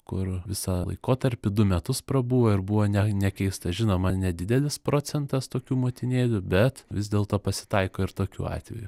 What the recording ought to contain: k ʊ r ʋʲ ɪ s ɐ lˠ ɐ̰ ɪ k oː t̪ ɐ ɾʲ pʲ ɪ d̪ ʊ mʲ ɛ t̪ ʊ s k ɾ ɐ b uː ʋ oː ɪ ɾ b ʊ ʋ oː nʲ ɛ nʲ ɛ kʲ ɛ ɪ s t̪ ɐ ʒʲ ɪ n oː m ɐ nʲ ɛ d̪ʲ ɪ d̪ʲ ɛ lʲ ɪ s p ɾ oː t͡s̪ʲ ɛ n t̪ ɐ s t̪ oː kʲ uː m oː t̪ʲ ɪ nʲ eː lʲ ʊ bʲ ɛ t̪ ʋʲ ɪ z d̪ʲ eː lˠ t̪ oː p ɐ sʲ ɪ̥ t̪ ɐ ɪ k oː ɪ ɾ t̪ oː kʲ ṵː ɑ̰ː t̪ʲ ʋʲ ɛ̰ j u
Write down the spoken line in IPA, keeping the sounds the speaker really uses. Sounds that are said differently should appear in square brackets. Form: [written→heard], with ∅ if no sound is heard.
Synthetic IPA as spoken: k ʊ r ʋʲ ɪ s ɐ lˠ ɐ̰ ɪ k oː t̪ ɐ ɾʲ pʲ ɪ d̪ ʊ mʲ ɛ t̪ ʊ s [k→p] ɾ ɐ b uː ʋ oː ɪ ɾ b ʊ ʋ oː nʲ ɛ nʲ ɛ kʲ ɛ ɪ s t̪ ɐ ʒʲ ɪ n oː m ɐ nʲ ɛ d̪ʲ ɪ d̪ʲ ɛ lʲ ɪ s p ɾ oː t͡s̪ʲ ɛ n t̪ ɐ s t̪ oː kʲ uː m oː t̪ʲ ɪ nʲ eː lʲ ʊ bʲ ɛ t̪ ʋʲ ɪ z d̪ʲ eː lˠ t̪ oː p ɐ sʲ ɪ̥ t̪ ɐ ɪ k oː ɪ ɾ t̪ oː kʲ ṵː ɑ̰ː t̪ʲ ʋʲ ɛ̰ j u

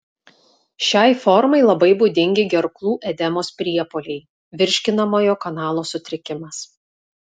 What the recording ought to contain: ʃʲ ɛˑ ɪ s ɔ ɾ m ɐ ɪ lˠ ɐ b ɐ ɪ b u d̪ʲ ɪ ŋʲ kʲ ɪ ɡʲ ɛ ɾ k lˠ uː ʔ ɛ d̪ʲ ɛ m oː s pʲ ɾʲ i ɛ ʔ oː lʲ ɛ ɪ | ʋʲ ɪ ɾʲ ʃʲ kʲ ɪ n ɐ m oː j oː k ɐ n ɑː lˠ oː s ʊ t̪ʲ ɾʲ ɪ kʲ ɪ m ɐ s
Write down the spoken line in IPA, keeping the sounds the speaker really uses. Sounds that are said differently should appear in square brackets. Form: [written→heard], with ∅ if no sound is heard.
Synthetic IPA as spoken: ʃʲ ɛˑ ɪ [s→f] ɔ ɾ m ɐ ɪ lˠ ɐ b ɐ ɪ b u d̪ʲ ɪ ŋʲ [kʲ→ɡʲ] ɪ ɡʲ ɛ ɾ k lˠ uː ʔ ɛ d̪ʲ ɛ m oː s pʲ ɾʲ i ɛ [ʔ→p] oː lʲ ɛ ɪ | ʋʲ ɪ ɾʲ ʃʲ kʲ ɪ n ɐ m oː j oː k ɐ n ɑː lˠ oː s ʊ t̪ʲ ɾʲ ɪ kʲ ɪ m ɐ s

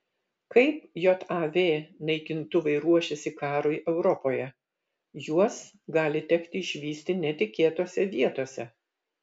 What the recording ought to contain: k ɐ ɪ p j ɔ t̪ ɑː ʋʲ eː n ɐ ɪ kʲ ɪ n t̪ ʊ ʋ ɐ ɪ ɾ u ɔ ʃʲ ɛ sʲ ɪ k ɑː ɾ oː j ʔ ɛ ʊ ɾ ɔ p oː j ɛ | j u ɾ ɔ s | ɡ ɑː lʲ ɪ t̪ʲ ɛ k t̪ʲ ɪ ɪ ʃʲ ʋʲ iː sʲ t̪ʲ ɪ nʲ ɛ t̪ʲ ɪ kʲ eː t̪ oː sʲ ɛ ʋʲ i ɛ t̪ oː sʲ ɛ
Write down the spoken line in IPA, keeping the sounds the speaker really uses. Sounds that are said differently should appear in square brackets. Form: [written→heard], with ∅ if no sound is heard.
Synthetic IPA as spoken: k ɐ ɪ p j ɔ t̪ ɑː ʋʲ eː n ɐ ɪ kʲ ɪ n t̪ ʊ ʋ ɐ ɪ ɾ u ɔ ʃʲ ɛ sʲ ɪ k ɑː ɾ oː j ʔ ɛ ʊ ɾ ɔ p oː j ɛ | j u [ɾ→∅] ɔ s | ɡ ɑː lʲ ɪ t̪ʲ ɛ k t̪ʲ ɪ ɪ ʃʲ ʋʲ iː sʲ t̪ʲ ɪ nʲ ɛ t̪ʲ ɪ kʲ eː t̪ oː sʲ ɛ ʋʲ i ɛ t̪ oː sʲ ɛ

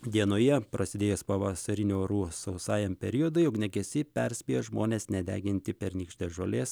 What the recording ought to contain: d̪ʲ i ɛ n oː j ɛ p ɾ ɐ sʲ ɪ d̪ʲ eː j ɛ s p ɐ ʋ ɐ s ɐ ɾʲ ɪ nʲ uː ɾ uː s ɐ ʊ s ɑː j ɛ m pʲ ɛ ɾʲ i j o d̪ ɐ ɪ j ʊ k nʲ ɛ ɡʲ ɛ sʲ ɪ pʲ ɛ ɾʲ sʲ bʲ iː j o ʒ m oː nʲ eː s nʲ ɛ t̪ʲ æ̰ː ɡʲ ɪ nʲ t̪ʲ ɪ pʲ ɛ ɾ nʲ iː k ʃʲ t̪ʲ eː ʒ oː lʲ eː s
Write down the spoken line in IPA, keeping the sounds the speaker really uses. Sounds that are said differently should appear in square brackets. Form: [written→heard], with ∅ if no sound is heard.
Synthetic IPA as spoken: d̪ʲ i ɛ n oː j ɛ p ɾ ɐ sʲ ɪ d̪ʲ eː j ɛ s p ɐ ʋ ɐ s ɐ ɾʲ ɪ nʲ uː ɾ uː s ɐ ʊ s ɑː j ɛ m pʲ ɛ ɾʲ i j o d̪ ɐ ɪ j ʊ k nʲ ɛ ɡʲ ɛ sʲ ɪ pʲ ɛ ɾʲ sʲ [bʲ→pʲ] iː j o ʒ m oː nʲ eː s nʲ ɛ [t̪ʲ→d̪ʲ] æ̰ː ɡʲ ɪ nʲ t̪ʲ ɪ pʲ ɛ ɾ nʲ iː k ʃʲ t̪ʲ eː ʒ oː lʲ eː s

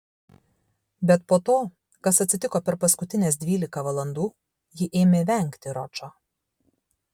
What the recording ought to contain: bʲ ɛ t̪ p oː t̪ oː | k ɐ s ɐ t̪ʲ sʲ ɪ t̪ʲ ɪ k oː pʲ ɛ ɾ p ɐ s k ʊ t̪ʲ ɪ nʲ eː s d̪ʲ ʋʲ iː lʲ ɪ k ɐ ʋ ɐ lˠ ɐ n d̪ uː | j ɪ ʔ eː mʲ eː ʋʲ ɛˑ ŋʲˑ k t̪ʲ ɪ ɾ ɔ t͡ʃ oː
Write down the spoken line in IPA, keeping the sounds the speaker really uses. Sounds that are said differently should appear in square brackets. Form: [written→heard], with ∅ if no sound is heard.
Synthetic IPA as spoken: bʲ ɛ t̪ p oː t̪ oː | k ɐ s ɐ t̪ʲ sʲ ɪ t̪ʲ ɪ k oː pʲ ɛ ɾ p ɐ s k ʊ t̪ʲ ɪ nʲ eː s d̪ʲ ʋʲ iː lʲ ɪ k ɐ ʋ ɐ lˠ ɐ n d̪ uː | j ɪ ʔ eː mʲ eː ʋʲ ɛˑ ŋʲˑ k t̪ʲ ɪ ɾ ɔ t͡ʃ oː

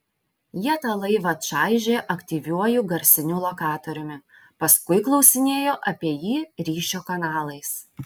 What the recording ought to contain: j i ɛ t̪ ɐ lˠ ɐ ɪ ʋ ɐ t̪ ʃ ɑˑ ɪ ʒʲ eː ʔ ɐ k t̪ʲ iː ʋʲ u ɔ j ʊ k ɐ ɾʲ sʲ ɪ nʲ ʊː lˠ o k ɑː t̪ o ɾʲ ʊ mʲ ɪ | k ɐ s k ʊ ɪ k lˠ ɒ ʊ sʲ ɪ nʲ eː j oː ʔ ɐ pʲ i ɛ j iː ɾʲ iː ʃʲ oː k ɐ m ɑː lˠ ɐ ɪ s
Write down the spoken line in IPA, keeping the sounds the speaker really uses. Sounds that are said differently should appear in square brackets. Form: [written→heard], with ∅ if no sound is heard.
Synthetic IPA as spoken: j i ɛ t̪ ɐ lˠ ɐ ɪ ʋ ɐ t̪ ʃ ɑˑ ɪ ʒʲ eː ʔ ɐ k t̪ʲ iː ʋʲ u ɔ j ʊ [k→ɡ] ɐ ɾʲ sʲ ɪ nʲ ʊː lˠ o k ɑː t̪ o ɾʲ ʊ mʲ ɪ | [k→p] ɐ s k ʊ ɪ k lˠ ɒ ʊ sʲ ɪ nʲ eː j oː ʔ ɐ pʲ i ɛ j iː ɾʲ iː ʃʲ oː k ɐ [m→n] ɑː lˠ ɐ ɪ s

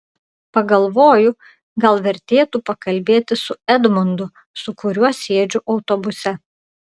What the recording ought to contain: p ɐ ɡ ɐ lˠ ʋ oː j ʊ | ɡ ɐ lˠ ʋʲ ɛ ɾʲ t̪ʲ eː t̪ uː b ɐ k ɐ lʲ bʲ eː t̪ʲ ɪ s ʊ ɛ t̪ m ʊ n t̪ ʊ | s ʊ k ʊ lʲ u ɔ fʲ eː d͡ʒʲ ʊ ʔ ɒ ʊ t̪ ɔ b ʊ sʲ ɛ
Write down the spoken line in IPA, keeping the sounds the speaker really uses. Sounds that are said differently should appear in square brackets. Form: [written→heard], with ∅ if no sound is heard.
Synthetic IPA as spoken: p ɐ ɡ ɐ lˠ ʋ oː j ʊ | ɡ ɐ lˠ ʋʲ ɛ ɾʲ t̪ʲ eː t̪ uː [b→p] ɐ k ɐ lʲ bʲ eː t̪ʲ ɪ s ʊ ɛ [t̪→d̪] m ʊ n [t̪→d̪] ʊ | s ʊ k ʊ [lʲ→ɾʲ] u ɔ [fʲ→sʲ] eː d͡ʒʲ ʊ ʔ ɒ ʊ t̪ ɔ b ʊ sʲ ɛ

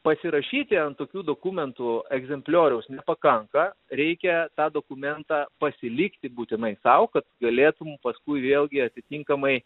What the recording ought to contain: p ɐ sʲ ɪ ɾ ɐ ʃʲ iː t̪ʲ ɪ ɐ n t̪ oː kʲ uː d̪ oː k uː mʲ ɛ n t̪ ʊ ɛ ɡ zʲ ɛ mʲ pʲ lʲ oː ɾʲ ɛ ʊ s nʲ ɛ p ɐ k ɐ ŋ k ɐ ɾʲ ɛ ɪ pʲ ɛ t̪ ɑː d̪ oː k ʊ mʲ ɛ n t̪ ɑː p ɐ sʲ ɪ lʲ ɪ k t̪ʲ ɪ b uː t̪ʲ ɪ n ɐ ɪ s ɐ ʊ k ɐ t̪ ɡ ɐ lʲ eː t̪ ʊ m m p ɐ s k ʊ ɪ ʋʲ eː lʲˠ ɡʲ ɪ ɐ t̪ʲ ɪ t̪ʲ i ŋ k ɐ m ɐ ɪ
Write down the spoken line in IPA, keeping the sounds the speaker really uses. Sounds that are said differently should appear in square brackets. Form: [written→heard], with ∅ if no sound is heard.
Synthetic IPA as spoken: p ɐ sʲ ɪ ɾ ɐ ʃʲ iː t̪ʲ ɪ ɐ n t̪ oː kʲ uː d̪ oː k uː mʲ ɛ n t̪ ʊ ɛ ɡ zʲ ɛ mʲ pʲ lʲ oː ɾʲ ɛ ʊ s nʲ ɛ p ɐ k ɐ ŋ k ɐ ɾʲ ɛ ɪ [pʲ→kʲ] ɛ t̪ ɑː d̪ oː k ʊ mʲ ɛ n t̪ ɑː p ɐ sʲ ɪ lʲ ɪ k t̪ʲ ɪ b uː t̪ʲ ɪ n ɐ ɪ s ɐ ʊ k ɐ t̪ ɡ ɐ lʲ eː t̪ ʊ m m p ɐ s k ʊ ɪ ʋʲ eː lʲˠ ɡʲ ɪ ɐ t̪ʲ ɪ t̪ʲ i ŋ k ɐ m ɐ ɪ

